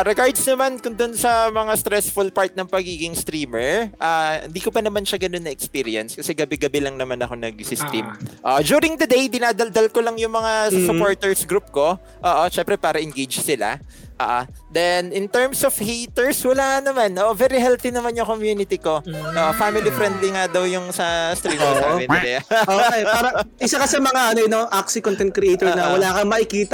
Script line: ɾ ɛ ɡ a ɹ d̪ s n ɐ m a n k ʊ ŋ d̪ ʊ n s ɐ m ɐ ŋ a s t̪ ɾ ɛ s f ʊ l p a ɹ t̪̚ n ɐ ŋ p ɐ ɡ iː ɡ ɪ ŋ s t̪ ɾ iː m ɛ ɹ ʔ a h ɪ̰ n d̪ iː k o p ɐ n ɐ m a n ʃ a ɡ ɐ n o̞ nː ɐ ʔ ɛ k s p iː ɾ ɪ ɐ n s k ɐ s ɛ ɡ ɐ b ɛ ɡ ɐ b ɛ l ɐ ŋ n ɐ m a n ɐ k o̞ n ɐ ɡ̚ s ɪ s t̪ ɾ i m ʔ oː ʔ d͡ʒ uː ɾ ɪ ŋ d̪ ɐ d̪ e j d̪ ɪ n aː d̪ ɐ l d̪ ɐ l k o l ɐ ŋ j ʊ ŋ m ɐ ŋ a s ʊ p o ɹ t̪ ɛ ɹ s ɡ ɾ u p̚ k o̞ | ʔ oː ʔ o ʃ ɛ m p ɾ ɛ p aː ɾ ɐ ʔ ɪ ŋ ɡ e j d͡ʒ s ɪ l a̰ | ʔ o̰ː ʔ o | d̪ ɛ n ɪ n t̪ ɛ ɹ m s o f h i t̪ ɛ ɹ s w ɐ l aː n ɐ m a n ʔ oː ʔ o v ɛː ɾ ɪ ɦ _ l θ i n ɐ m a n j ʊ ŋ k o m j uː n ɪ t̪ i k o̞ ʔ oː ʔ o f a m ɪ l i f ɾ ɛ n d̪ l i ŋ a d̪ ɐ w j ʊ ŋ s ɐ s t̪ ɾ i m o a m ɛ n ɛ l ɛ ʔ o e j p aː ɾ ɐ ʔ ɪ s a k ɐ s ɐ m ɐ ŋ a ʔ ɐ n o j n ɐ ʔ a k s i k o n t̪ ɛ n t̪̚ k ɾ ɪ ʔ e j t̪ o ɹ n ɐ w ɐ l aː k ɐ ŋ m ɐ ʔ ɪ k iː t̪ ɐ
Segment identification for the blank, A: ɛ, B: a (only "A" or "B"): A